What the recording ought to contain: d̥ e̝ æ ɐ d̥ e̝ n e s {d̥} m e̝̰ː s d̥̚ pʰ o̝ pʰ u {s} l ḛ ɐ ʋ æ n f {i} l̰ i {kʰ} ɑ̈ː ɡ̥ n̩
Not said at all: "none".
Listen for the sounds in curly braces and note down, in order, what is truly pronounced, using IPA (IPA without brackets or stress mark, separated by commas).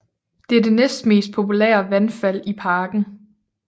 d̥, none, æ, pʰ